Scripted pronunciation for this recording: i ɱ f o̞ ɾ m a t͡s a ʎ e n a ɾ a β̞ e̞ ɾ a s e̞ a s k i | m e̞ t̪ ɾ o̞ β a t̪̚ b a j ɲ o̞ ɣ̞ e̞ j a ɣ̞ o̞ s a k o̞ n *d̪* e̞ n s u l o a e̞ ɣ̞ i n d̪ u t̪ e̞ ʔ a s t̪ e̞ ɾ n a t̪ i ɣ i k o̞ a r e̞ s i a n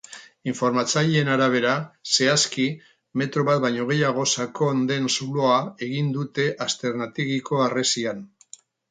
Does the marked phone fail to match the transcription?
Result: no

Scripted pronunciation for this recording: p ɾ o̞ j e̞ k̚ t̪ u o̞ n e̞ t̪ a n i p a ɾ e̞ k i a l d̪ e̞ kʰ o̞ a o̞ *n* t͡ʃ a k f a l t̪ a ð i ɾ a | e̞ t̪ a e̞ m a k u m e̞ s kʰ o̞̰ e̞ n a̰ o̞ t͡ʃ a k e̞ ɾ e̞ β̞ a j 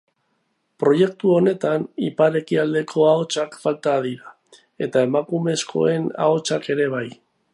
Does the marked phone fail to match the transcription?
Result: yes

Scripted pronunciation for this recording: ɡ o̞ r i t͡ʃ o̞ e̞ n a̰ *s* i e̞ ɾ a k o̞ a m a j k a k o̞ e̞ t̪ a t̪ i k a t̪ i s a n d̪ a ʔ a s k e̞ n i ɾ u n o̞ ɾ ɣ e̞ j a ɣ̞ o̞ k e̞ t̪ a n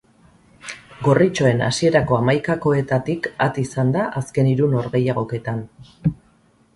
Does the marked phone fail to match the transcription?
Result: no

